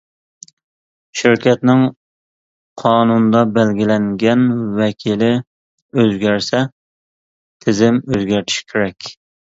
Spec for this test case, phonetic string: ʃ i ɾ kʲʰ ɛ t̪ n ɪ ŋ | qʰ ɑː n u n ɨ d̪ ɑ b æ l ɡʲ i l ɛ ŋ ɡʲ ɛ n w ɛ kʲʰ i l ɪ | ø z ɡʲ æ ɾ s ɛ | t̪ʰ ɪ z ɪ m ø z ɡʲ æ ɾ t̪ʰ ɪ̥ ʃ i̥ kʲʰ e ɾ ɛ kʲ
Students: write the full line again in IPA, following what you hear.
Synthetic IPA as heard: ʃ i ɾ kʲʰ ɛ t̪ n ɪ ŋ | qʰ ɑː n u n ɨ d̪ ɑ b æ l ɡʲ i l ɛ ŋ ɡʲ ɛ n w ɛ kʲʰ i l ɪ | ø z ɡʲ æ ɾ s ɛ | t̪ʰ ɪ z ɪ m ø z ɡʲ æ ɾ t̪ʰ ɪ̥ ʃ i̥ kʲʰ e ɾ ɛ kʲ

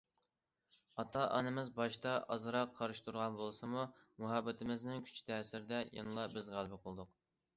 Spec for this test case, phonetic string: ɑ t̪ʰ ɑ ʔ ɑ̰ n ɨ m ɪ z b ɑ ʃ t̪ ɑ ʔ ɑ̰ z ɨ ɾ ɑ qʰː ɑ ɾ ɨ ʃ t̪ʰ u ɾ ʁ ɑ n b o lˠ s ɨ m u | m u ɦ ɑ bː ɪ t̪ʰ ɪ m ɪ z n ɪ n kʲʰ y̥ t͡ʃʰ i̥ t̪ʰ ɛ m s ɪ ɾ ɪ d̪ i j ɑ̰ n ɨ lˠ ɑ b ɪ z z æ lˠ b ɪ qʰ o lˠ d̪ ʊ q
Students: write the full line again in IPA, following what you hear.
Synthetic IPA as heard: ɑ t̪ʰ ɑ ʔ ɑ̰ n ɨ m ɪ z b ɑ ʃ t̪ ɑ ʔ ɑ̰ z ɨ ɾ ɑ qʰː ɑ ɾ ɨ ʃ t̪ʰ u ɾ ʁ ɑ n b o lˠ s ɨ m u | m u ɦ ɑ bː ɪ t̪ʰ ɪ m ɪ z n ɪ ŋ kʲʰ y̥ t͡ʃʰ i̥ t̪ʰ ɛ s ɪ ɾ ɪ d̪ ɛ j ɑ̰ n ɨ lˠ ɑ b ɪ z ʁ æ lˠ b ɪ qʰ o lˠ d̪ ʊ q

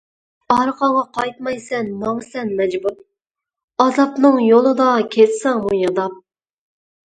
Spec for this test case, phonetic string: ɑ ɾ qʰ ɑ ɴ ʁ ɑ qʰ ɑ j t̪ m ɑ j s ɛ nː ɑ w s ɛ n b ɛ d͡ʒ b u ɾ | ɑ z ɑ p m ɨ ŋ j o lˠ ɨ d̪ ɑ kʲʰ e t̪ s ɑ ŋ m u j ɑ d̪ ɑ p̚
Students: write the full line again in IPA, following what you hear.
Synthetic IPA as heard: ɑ ɾ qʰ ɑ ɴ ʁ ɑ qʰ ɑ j t̪ m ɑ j s ɛ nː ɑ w s ɛ n m ɛ d͡ʒ b u ɾ | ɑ z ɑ p n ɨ ŋ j o lˠ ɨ d̪ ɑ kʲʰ e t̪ s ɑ ŋ m u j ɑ d̪ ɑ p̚

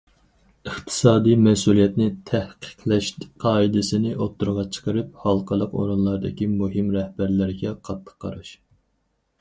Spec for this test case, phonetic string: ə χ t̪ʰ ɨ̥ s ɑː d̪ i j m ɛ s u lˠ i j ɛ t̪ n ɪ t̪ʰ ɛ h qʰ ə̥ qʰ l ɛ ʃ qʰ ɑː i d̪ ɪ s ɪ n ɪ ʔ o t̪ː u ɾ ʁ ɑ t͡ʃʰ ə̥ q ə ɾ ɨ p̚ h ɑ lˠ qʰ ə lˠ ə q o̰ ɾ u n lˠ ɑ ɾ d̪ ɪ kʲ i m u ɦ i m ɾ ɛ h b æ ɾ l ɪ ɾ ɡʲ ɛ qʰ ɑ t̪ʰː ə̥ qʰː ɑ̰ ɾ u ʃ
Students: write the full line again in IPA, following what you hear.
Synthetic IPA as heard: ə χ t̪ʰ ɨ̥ s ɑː d̪ i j m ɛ s u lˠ i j ɛ t̪ n ɪ t̪ʰ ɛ h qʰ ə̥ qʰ l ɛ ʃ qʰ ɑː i d̪ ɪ s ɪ n ɪ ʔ o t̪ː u ɾ ʁ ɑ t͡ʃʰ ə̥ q ə ɾ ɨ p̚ h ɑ lˠ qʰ ə lˠ ə q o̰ ɾ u n lˠ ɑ ɾ d̪ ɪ kʲ i m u ɦ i m ɾ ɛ h b æ ɾ l ɪ ɾ ɡʲ ɛ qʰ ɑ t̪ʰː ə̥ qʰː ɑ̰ ɾ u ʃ

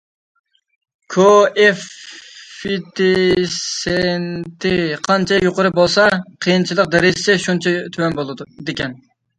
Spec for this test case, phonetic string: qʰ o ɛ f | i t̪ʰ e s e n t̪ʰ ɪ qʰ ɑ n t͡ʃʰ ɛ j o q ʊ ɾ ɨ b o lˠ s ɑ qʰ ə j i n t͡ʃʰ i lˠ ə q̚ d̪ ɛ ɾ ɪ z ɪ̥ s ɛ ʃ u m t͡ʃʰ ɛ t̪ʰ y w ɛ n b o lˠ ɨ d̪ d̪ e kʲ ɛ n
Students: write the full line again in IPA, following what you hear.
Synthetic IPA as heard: kʰ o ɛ f | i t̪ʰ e s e n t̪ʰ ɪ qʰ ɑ n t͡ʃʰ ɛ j o q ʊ ɾ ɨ b o lˠ s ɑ qʰ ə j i n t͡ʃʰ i lˠ ə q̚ d̪ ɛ ɾ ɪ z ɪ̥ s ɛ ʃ u n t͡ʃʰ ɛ t̪ʰ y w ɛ n b o lˠ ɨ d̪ d̪ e kʲ ɛ n

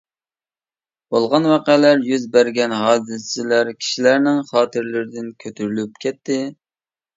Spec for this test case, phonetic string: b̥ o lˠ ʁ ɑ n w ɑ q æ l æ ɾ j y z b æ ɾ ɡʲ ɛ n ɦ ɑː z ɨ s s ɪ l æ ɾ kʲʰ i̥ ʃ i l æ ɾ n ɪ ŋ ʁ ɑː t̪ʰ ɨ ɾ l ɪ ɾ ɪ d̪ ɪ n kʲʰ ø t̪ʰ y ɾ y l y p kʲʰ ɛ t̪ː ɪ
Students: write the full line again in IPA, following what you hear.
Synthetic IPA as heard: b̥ o lˠ ʁ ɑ n w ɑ q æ l æ ɾ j y z b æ ɾ ɡʲ ɛ n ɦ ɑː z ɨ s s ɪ l æ ɾ kʲʰ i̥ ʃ i l æ ɾ n ɪ ŋ χ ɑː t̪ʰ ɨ ɾ l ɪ ɾ ɪ d̪ ɪ n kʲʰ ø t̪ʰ y ɾ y l y p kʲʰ ɛ t̪ː ɪ

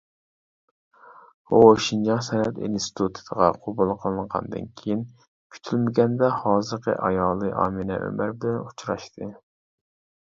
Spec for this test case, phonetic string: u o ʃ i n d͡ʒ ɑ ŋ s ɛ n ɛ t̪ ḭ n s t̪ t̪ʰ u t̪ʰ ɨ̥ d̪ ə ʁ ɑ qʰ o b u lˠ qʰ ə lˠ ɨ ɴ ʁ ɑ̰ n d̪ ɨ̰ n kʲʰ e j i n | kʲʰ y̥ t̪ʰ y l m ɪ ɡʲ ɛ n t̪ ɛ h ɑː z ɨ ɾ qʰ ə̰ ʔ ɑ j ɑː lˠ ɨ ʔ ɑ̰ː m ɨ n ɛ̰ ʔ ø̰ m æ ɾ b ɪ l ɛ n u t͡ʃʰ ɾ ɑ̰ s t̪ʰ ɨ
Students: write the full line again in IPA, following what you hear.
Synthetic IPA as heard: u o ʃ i n d͡ʒ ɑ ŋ s ɛ n ɛ t̪ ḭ n s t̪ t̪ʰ u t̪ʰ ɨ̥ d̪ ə ʁ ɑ qʰ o b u lˠ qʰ ə lˠ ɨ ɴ ʁ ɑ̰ n d̪ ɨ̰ n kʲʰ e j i n | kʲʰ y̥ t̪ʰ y l m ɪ ɡʲ ɛ n d̪ ɛ h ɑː z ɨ ɾ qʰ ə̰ ʔ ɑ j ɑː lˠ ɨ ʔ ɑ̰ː m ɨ n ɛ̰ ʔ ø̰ m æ ɾ b ɪ l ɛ n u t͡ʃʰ ɾ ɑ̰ ʃ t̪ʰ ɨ

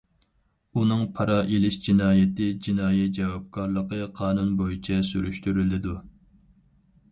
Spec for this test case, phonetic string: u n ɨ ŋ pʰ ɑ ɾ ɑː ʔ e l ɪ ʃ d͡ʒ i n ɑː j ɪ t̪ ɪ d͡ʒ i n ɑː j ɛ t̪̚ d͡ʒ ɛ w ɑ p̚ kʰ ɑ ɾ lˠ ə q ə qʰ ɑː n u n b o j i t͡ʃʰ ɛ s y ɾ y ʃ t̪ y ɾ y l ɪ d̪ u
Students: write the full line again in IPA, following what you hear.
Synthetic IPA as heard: u n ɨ ŋ pʰ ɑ ɾ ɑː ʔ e l ɪ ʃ d͡ʒ i n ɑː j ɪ t̪ ɪ d͡ʒ i n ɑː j ɛ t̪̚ d͡ʒ ɛ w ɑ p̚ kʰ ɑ ɾ lˠ ə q ə qʰ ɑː n u n b o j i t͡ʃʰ ɛ s y ɾ y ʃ t̪ y ɾ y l ɪ d̪ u

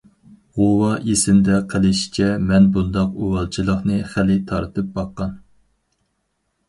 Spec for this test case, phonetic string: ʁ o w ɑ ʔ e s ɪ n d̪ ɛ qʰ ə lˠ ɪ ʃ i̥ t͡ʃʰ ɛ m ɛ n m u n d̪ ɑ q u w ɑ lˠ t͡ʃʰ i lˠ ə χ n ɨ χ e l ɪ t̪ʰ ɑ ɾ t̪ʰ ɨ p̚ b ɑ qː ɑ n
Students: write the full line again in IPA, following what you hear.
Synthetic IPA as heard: ʁ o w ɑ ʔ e s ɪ n d̪ ɛ qʰ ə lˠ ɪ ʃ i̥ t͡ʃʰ ɛ m ɛ n b u n d̪ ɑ q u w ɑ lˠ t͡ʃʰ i lˠ ə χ n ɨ χ æ l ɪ t̪ʰ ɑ ɾ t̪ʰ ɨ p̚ b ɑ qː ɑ n

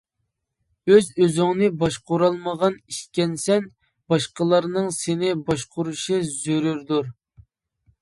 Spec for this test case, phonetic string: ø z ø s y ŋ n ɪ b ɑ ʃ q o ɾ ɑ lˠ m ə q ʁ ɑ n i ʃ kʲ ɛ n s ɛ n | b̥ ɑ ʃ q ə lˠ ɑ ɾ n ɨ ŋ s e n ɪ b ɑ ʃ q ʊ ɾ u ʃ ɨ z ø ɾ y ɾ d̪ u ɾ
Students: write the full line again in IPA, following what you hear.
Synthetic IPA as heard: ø z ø z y ŋ n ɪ b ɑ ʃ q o ɾ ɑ lˠ m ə ʁ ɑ n i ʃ kʲ ɛ n s ɛ n | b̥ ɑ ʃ q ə lˠ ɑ ɾ n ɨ ŋ s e n ɪ b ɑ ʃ q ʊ ɾ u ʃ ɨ z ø ɾ y ɾ d̪ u ɾ

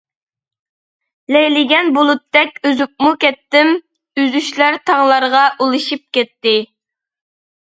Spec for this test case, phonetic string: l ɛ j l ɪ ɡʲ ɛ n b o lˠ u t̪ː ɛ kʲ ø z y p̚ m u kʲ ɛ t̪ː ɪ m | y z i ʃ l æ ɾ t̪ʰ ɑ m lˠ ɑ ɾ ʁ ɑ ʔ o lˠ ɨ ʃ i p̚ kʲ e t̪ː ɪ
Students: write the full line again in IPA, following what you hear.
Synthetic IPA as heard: l ɛ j l ɪ ɡʲ ɛ n b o lˠ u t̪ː ɛ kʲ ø z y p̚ m u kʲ ɛ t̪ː ɪ m | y z y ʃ l æ ɾ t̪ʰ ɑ ŋ lˠ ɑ ɾ ʁ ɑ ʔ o lˠ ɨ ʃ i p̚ kʲ ɛ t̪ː ɪ

